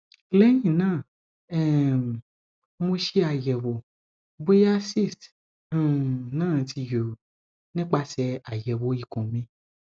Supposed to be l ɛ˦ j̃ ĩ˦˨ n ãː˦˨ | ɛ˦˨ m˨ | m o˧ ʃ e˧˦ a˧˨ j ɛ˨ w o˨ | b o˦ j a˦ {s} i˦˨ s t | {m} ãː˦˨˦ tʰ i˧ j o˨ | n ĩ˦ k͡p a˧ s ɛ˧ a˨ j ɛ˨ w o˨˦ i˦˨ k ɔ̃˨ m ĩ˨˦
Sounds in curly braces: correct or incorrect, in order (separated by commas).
correct, incorrect